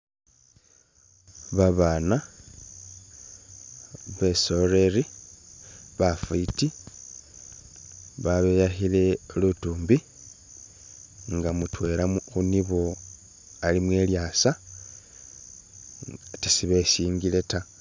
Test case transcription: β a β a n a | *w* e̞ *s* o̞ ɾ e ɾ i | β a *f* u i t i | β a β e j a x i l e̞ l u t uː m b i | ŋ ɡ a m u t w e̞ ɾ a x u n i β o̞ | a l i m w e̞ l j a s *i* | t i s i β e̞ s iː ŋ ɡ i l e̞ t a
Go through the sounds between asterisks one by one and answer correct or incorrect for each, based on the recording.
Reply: incorrect: β, correct, correct, incorrect: a

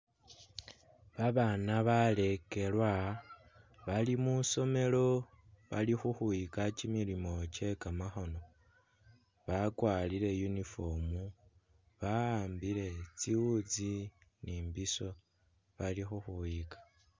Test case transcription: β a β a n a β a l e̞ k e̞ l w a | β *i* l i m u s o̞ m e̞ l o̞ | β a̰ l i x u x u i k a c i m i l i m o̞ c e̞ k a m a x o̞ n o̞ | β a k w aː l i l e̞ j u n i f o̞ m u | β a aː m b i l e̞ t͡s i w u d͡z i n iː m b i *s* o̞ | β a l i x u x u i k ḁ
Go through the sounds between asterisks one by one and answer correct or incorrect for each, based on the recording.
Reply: incorrect: a, correct

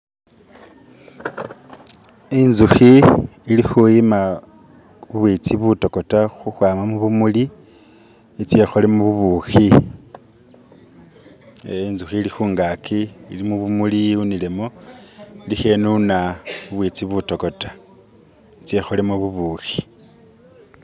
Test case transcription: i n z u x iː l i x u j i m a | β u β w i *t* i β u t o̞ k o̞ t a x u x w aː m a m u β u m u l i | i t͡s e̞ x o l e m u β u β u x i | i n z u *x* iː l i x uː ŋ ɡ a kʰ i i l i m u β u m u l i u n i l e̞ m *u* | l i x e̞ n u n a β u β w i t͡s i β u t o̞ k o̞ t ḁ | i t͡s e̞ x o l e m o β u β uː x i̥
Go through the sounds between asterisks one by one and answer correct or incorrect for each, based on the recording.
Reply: incorrect: t͡s, correct, incorrect: o

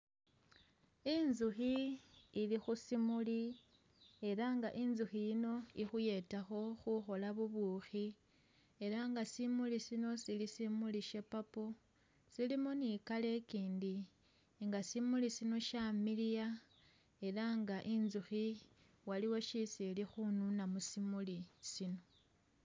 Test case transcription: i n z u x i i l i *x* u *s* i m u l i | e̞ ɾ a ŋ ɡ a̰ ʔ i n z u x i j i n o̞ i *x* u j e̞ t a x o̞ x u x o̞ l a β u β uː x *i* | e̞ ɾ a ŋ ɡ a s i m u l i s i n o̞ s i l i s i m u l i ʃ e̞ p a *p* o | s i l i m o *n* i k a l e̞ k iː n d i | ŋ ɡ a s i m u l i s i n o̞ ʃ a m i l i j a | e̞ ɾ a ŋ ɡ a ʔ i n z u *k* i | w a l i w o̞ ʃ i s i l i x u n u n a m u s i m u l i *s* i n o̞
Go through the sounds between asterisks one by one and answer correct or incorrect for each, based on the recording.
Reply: correct, correct, correct, correct, correct, correct, incorrect: x, correct

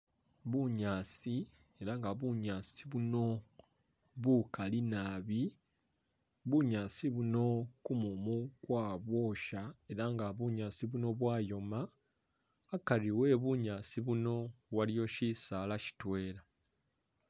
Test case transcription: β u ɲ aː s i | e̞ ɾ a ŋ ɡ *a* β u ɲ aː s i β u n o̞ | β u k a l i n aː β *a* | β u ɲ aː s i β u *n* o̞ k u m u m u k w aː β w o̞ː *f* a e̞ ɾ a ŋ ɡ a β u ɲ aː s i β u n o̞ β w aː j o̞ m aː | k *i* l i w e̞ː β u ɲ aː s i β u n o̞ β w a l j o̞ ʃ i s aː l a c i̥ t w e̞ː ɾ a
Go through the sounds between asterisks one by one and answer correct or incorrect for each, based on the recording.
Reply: correct, incorrect: i, correct, incorrect: ʃ, incorrect: a

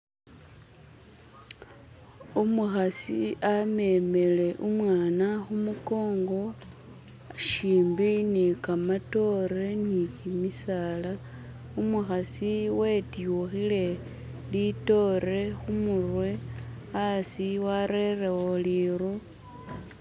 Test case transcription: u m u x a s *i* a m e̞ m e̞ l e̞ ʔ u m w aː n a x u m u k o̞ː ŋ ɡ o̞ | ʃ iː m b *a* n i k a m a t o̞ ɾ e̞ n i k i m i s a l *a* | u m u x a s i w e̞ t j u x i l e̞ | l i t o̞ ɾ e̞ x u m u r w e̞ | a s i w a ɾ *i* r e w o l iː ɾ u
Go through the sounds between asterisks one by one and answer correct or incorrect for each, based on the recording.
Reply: correct, incorrect: i, correct, incorrect: e

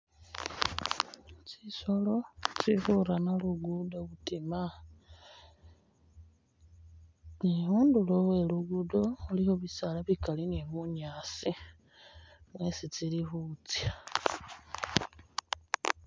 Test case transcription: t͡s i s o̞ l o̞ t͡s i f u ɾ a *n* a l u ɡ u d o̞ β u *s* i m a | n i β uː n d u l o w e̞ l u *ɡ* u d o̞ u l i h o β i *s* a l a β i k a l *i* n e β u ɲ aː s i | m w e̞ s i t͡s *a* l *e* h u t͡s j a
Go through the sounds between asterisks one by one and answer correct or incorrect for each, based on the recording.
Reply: correct, incorrect: t, correct, correct, correct, incorrect: i, incorrect: i

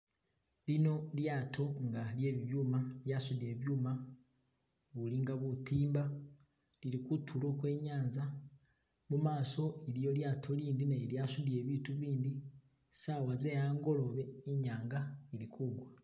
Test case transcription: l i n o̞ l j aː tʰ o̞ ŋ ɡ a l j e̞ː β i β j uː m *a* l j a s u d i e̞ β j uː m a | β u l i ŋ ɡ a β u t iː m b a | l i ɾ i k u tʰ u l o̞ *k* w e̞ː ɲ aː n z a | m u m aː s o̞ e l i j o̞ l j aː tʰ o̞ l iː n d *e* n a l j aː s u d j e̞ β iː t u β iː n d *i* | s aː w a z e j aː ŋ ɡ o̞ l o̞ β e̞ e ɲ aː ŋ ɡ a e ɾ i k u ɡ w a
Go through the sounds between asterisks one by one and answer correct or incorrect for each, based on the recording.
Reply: correct, correct, incorrect: i, correct

